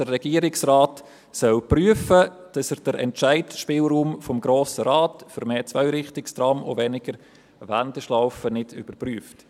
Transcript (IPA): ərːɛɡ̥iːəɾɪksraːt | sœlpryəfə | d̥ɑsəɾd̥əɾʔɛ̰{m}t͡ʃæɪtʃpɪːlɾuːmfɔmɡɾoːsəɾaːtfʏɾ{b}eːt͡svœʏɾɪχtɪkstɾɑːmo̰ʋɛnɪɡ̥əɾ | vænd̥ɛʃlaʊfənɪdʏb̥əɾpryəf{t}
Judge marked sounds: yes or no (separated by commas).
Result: no, no, yes